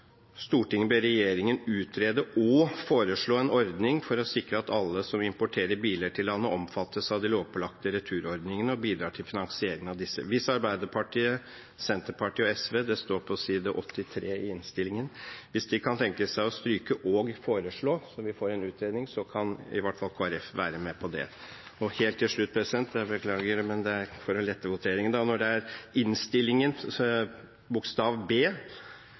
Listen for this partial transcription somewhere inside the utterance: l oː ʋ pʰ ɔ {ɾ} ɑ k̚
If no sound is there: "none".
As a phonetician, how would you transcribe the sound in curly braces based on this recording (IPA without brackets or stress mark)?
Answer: l